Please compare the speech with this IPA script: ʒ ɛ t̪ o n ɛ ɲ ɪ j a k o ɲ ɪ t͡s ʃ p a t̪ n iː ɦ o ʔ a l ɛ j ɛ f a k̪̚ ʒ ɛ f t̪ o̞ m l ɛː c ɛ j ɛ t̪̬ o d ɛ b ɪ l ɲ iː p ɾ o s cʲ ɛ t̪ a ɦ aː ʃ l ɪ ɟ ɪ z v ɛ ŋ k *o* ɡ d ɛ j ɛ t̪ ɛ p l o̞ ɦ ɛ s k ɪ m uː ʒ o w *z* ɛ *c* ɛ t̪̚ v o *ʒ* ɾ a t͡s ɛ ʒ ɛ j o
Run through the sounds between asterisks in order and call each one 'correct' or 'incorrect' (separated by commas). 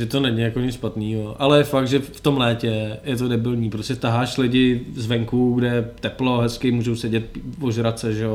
incorrect, incorrect, incorrect, correct